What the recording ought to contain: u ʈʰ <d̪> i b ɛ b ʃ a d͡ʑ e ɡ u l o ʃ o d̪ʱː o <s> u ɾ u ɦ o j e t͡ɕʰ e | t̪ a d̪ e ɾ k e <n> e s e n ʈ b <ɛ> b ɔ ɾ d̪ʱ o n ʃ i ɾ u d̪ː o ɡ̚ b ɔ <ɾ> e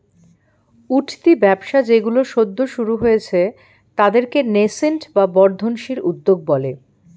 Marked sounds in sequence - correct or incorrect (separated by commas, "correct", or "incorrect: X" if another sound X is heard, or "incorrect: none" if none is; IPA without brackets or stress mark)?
incorrect: t̪, incorrect: ʃ, correct, incorrect: a, incorrect: l